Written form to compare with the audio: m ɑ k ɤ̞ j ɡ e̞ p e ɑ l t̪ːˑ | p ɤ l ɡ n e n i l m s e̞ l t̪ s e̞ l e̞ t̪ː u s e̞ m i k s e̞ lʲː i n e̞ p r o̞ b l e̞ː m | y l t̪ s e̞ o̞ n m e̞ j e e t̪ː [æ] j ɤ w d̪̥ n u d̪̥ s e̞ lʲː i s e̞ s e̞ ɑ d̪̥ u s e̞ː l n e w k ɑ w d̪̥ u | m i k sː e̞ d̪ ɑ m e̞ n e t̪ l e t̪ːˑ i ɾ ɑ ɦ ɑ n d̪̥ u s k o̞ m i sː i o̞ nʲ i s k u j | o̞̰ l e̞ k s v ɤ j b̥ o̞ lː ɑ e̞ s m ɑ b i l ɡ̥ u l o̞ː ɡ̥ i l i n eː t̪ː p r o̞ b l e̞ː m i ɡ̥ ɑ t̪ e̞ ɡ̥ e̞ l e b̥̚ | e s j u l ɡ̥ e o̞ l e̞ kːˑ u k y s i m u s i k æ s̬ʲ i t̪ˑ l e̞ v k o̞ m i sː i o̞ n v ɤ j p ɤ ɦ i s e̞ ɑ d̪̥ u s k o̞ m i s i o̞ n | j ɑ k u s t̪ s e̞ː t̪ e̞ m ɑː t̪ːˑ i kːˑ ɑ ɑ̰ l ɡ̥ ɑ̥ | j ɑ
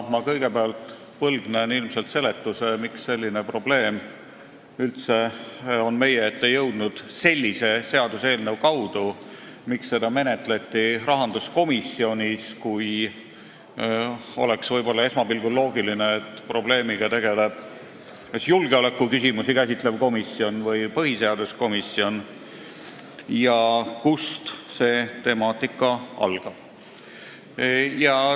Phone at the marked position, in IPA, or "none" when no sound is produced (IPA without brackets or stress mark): e